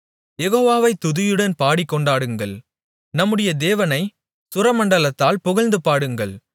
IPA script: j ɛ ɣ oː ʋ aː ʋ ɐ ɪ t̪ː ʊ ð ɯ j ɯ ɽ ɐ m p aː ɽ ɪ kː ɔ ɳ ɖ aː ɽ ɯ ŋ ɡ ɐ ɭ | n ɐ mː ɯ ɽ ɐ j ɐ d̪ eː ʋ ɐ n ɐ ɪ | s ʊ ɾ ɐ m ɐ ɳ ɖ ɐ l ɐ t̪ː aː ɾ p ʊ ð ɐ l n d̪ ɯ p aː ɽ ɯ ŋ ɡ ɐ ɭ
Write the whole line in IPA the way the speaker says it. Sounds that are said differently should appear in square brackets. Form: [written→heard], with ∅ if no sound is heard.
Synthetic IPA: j ɛ ɣ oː ʋ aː ʋ ɐ ɪ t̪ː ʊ ð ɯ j ɯ ɽ ɐ [m→n] p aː ɽ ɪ kː ɔ ɳ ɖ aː ɽ ɯ ŋ ɡ ɐ ɭ | n ɐ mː ɯ ɽ ɐ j ɐ d̪ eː ʋ ɐ n ɐ ɪ | s ʊ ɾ ɐ m ɐ ɳ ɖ ɐ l ɐ t̪ː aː [ɾ→l] p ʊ [ð→ɣ] ɐ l n d̪ ɯ p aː ɽ ɯ ŋ ɡ ɐ ɭ

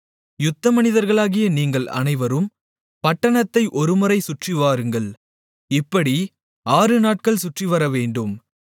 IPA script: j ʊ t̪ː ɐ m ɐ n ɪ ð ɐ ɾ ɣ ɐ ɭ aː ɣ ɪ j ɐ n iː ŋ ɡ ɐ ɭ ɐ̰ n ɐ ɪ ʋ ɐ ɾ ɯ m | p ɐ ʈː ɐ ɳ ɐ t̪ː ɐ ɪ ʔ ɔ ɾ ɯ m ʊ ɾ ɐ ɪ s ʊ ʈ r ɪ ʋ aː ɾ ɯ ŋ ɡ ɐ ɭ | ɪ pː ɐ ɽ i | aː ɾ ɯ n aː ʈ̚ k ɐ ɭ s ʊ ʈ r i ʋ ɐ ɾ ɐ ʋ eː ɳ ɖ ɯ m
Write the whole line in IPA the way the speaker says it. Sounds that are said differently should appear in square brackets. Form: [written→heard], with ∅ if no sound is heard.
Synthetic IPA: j ʊ t̪ː ɐ m ɐ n ɪ ð ɐ ɾ ɣ ɐ ɭ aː ɣ ɪ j ɐ n iː ŋ ɡ ɐ ɭ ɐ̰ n ɐ ɪ ʋ ɐ ɾ ɯ m | p ɐ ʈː ɐ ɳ ɐ t̪ː ɐ ɪ ʔ ɔ ɾ ɯ m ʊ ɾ ɐ ɪ s ʊ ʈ r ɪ ʋ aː ɾ ɯ ŋ ɡ ɐ ɭ | ɪ pː ɐ ɽ i | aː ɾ ɯ n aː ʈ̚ k ɐ ɭ s ʊ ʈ r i ʋ ɐ ɾ ɐ ʋ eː ɳ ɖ ɯ m

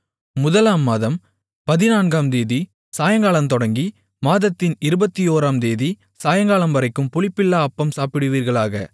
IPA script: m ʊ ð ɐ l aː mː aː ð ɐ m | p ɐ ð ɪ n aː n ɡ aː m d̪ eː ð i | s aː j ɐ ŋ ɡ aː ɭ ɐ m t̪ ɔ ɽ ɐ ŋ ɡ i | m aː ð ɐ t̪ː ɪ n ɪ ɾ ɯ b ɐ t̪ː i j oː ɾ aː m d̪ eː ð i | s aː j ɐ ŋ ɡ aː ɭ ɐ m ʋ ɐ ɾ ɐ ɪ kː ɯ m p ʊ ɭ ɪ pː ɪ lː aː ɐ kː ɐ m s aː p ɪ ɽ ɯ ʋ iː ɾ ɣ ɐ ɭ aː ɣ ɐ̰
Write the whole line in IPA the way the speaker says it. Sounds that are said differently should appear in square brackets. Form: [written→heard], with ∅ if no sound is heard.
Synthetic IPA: m ʊ ð ɐ l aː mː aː ð ɐ m | p ɐ ð ɪ n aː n ɡ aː m d̪ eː ð i | s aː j ɐ ŋ ɡ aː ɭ ɐ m t̪ ɔ ɽ ɐ ŋ ɡ i | m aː ð ɐ t̪ː ɪ n ɪ ɾ ɯ b ɐ t̪ː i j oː ɾ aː m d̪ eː ð i | s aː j ɐ ŋ ɡ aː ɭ ɐ m ʋ ɐ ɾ ɐ ɪ kː ɯ m p ʊ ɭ ɪ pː ɪ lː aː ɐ [kː→pː] ɐ m s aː p ɪ ɽ ɯ ʋ iː ɾ ɣ ɐ ɭ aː ɣ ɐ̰

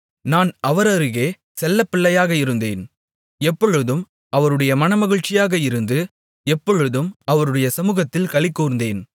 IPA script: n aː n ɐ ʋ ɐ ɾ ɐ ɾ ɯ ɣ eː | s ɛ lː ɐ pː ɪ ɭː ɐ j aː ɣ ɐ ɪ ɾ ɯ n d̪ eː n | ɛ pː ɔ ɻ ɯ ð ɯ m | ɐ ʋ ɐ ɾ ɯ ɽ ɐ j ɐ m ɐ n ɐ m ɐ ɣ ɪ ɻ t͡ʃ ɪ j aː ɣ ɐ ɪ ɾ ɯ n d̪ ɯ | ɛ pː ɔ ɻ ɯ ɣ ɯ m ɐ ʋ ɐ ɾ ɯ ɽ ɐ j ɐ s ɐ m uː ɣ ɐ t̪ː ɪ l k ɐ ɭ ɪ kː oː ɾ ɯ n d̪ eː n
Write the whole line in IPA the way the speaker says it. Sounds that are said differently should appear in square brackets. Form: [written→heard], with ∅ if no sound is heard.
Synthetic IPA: n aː n ɐ ʋ ɐ ɾ ɐ ɾ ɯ ɣ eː | s ɛ lː ɐ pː ɪ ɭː ɐ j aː ɣ ɐ ɪ ɾ ɯ n d̪ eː n | ɛ pː ɔ ɻ ɯ ð ɯ m | ɐ ʋ ɐ ɾ ɯ ɽ ɐ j ɐ m ɐ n ɐ m ɐ ɣ ɪ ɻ t͡ʃ ɪ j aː ɣ ɐ ɪ ɾ ɯ n d̪ ɯ | ɛ pː ɔ ɻ ɯ [ɣ→ð] ɯ m ɐ ʋ ɐ ɾ ɯ ɽ ɐ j ɐ s ɐ m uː ɣ ɐ t̪ː ɪ l k ɐ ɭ ɪ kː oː ɾ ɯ n d̪ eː n

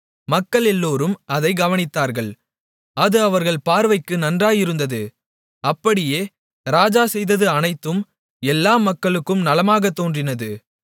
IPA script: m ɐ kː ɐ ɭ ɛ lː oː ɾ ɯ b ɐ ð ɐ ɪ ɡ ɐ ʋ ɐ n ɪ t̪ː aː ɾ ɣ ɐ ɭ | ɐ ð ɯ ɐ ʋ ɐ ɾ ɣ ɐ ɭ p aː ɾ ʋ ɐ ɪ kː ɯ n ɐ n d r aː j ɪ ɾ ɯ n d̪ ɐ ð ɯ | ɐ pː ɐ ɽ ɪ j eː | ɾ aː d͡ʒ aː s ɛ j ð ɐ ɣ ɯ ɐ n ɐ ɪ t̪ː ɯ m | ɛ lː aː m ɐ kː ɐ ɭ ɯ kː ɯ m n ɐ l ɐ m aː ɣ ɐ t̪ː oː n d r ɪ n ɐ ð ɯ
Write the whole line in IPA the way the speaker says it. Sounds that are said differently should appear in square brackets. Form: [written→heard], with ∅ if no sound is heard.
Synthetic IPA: m ɐ kː ɐ ɭ ɛ lː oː ɾ ɯ [b→m] ɐ ð ɐ ɪ ɡ ɐ ʋ ɐ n ɪ t̪ː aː ɾ ɣ ɐ ɭ | ɐ ð ɯ ɐ ʋ ɐ ɾ ɣ ɐ ɭ p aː ɾ ʋ ɐ ɪ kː ɯ n ɐ n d r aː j ɪ ɾ ɯ n d̪ ɐ ð ɯ | ɐ pː ɐ ɽ ɪ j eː | ɾ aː d͡ʒ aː s ɛ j ð ɐ [ɣ→ð] ɯ ɐ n ɐ ɪ t̪ː ɯ m | ɛ lː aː m ɐ kː ɐ ɭ ɯ kː ɯ m n ɐ l ɐ m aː ɣ ɐ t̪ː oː n d r ɪ n ɐ ð ɯ

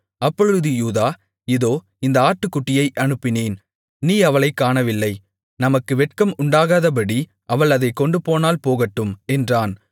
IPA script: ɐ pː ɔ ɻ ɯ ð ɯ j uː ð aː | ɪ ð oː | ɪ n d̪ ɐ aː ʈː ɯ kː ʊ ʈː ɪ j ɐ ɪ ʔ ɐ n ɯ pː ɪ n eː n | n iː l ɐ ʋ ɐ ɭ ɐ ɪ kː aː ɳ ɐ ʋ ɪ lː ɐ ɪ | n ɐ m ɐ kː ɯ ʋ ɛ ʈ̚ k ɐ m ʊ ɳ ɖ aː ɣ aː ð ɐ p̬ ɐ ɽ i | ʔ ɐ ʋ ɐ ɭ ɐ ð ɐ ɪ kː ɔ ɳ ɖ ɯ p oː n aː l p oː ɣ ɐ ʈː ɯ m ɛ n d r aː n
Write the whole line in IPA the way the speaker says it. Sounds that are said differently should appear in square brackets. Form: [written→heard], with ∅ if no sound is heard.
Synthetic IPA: ɐ pː ɔ ɻ ɯ ð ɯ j uː ð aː | ɪ ð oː | ɪ n d̪ ɐ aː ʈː ɯ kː ʊ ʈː ɪ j ɐ ɪ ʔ ɐ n ɯ pː ɪ n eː n | n iː [l→∅] ɐ ʋ ɐ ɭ ɐ ɪ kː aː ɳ ɐ ʋ ɪ lː ɐ ɪ | n ɐ m ɐ kː ɯ ʋ ɛ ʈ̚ k ɐ m ʊ ɳ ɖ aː ɣ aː ð ɐ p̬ ɐ ɽ i | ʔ ɐ ʋ ɐ ɭ ɐ ð ɐ ɪ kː ɔ ɳ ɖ ɯ p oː n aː l p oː ɣ ɐ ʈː ɯ m ɛ n d r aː n

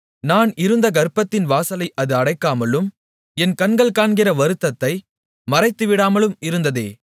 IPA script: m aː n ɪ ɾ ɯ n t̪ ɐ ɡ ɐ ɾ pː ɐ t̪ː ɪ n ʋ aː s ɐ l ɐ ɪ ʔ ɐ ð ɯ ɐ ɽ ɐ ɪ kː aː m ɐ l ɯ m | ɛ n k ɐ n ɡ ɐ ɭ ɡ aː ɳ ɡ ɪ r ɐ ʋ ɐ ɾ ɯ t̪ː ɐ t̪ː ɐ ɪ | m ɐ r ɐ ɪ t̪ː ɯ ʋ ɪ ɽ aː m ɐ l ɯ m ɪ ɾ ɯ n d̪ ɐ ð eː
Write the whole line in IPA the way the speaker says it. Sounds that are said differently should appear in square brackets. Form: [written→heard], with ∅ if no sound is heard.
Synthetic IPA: [m→n] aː n ɪ ɾ ɯ n [t̪→d̪] ɐ ɡ ɐ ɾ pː ɐ t̪ː ɪ n ʋ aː s ɐ l ɐ ɪ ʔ ɐ ð ɯ ɐ ɽ ɐ ɪ kː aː m ɐ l ɯ m | ɛ n k ɐ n ɡ ɐ ɭ [ɡ→k] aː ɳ ɡ ɪ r ɐ ʋ ɐ ɾ ɯ t̪ː ɐ t̪ː ɐ ɪ | m ɐ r ɐ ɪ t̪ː ɯ ʋ ɪ ɽ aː m ɐ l ɯ m ɪ ɾ ɯ n d̪ ɐ ð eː

